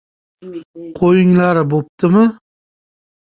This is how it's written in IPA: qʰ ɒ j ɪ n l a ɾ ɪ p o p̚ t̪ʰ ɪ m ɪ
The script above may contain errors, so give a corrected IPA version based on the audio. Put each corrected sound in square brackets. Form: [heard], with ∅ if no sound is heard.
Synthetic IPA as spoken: qʰ [o] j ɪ [ŋ] l a ɾ ɪ [b] o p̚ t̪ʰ ɪ m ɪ